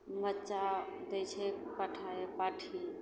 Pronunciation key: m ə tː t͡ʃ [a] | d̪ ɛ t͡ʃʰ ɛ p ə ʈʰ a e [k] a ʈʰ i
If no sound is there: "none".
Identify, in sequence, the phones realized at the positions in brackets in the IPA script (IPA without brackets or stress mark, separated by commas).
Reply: a, p